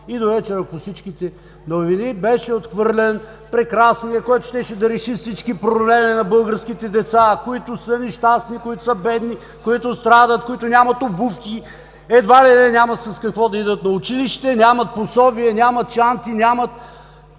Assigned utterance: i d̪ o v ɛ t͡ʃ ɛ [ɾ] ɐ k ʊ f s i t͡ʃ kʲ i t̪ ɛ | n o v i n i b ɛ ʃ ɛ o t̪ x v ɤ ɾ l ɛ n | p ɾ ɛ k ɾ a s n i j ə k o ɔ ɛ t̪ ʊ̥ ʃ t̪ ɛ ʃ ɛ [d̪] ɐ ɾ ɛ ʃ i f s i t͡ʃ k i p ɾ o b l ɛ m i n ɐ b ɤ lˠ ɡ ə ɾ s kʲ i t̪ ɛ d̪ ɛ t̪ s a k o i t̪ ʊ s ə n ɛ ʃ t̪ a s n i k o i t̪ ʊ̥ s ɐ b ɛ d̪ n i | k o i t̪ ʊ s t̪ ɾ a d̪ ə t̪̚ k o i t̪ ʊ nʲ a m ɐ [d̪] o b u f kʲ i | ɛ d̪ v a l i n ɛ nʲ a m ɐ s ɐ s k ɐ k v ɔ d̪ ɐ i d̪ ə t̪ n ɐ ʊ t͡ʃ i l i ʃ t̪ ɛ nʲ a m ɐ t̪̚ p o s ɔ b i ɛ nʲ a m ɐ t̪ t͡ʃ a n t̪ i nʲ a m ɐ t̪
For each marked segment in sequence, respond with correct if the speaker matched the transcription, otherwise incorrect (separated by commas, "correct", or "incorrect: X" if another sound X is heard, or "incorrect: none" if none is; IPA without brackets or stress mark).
correct, correct, incorrect: t̪